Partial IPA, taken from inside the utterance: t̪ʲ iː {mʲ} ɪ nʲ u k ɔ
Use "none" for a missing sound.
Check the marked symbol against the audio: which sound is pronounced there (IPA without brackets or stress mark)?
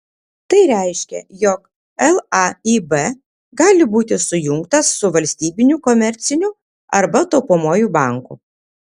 bʲ